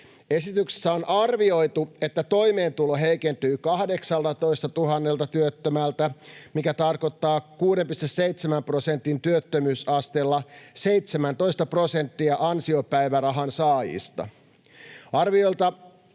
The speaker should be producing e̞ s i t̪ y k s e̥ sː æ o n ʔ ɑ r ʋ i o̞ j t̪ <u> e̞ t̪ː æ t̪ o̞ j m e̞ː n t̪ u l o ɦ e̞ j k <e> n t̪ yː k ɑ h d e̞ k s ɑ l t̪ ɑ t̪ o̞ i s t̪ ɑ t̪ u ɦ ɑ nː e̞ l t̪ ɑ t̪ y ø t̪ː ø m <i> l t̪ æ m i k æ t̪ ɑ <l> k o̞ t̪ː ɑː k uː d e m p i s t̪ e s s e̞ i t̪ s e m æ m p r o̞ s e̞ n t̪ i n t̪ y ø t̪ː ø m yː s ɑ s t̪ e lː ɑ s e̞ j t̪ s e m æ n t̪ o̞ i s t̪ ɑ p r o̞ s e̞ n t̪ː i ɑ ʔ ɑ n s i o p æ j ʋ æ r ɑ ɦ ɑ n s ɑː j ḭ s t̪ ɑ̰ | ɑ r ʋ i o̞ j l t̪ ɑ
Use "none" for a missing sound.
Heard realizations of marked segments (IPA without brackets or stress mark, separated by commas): u, e, æ, r